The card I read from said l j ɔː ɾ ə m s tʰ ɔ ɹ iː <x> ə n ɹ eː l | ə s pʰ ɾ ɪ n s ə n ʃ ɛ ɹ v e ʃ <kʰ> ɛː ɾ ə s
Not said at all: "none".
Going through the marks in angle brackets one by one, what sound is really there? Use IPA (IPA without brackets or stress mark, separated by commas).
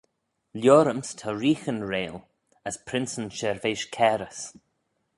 x, kʰ